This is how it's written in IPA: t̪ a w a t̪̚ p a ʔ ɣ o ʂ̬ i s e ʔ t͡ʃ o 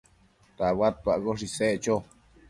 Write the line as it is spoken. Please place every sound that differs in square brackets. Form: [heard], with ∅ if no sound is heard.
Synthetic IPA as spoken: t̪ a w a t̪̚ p a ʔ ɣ o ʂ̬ i s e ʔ t͡ʃ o